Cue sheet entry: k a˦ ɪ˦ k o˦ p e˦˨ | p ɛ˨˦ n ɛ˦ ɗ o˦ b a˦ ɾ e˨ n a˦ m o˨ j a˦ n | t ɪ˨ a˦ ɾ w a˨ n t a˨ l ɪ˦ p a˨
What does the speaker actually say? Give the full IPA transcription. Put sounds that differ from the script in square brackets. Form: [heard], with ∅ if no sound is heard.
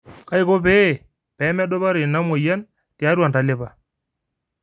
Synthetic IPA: k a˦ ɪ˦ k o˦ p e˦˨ | p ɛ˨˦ [m] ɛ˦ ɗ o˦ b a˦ ɾ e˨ n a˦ m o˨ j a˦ n | t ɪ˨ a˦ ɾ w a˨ n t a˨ l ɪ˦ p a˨